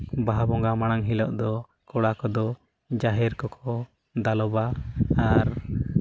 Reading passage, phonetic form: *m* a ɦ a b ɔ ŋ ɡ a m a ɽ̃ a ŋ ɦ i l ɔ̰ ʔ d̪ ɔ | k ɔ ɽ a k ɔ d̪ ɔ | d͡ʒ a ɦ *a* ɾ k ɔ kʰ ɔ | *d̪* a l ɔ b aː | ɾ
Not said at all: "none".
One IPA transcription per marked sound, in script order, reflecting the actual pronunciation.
b, ɛ, d̪

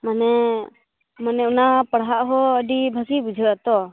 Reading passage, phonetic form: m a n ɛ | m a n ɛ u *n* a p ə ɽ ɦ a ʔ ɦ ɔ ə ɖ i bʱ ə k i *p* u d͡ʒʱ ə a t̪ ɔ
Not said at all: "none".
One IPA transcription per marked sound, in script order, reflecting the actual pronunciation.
n, b

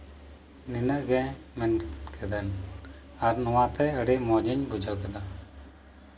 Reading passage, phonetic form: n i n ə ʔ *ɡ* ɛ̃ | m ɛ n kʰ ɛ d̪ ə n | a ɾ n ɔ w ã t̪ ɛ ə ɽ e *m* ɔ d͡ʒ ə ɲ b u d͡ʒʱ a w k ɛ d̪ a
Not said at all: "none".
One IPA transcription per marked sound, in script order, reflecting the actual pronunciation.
ɡ, m

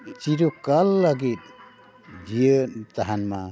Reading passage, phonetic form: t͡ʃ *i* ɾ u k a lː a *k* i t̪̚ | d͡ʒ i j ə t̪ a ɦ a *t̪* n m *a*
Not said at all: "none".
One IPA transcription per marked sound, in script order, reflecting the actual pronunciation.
i, ɡ, none, a

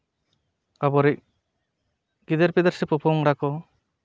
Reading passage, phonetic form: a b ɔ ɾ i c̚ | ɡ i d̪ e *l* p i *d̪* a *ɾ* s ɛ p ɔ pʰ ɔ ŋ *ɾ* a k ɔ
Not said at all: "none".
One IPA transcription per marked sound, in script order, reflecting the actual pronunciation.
ɾ, d̪, ɾ, ɾ

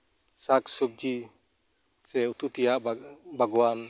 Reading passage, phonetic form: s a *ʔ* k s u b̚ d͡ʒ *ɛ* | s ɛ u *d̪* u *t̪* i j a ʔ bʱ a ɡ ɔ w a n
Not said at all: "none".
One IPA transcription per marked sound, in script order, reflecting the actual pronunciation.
none, i, t̪, t̪

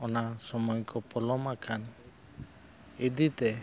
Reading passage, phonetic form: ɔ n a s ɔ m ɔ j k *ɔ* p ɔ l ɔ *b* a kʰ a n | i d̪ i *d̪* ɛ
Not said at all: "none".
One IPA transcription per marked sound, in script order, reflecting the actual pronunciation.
ɔ, m, t̪

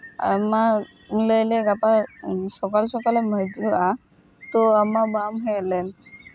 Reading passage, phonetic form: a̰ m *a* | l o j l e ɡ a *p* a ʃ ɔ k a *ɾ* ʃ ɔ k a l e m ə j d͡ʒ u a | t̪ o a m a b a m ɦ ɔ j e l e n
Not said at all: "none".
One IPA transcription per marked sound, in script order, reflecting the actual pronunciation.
a, p, l

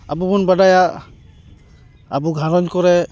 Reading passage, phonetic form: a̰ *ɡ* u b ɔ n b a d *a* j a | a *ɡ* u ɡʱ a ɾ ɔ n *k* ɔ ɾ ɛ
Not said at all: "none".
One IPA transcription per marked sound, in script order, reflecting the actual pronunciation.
b, a, b, k

